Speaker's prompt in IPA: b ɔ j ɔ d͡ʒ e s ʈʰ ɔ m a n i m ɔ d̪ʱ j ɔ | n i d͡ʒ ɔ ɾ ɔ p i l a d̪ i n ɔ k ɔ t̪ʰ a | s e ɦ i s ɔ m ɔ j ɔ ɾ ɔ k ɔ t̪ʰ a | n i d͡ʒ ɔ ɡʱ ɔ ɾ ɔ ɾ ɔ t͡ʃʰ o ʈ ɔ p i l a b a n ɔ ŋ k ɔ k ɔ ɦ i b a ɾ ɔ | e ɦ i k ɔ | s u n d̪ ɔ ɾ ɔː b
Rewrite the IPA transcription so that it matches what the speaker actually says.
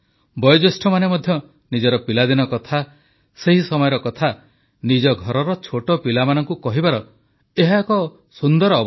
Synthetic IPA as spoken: b ɔ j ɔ d͡ʒ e s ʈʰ ɔ m a n e m ɔ d̪ʱ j ɔ | n i d͡ʒ ɔ ɾ ɔ p i l a d̪ i n ɔ k ɔ t̪ʰ a | s e ɦ i s ɔ m ɔ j ɔ ɾ ɔ k ɔ t̪ʰ a | n i d͡ʒ ɔ ɡʱ ɔ ɾ ɔ ɾ ɔ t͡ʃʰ o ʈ ɔ p i l a m a n ɔ ŋ k u k ɔ ɦ i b a ɾ ɔ | e ɦ a k ɔ | s u n d̪ ɔ ɾ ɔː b